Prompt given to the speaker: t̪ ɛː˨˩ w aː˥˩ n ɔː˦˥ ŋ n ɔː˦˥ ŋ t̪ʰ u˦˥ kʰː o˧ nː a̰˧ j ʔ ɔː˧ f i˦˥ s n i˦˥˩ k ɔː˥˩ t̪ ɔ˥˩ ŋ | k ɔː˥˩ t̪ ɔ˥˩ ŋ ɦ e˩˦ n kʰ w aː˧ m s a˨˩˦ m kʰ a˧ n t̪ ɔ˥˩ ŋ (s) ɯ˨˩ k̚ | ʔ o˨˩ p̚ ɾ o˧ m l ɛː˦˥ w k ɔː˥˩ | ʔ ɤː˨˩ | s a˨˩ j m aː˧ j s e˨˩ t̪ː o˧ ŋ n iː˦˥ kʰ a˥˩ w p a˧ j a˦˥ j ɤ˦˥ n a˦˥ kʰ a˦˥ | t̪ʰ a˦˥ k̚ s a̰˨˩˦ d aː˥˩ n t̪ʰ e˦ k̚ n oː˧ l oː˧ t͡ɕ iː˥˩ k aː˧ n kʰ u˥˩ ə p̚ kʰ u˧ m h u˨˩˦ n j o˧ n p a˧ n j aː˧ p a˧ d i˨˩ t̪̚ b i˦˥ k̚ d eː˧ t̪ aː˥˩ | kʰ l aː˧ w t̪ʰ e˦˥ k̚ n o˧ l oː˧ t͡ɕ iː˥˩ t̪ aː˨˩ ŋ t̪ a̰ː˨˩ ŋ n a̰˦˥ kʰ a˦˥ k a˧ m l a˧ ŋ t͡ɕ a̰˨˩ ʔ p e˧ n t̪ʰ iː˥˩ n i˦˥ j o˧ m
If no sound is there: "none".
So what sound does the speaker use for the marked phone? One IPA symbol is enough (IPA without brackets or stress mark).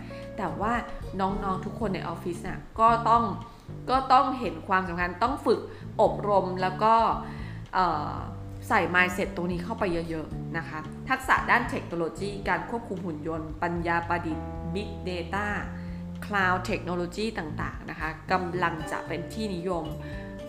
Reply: f